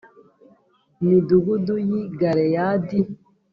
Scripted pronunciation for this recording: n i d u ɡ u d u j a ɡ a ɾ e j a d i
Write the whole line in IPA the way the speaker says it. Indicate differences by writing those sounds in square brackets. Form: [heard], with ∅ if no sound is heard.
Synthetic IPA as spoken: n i d u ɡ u d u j [i] ɡ a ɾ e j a d i